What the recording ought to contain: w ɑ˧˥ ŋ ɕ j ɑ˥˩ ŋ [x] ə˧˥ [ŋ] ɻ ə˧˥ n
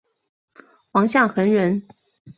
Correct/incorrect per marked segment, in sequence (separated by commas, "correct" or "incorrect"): correct, incorrect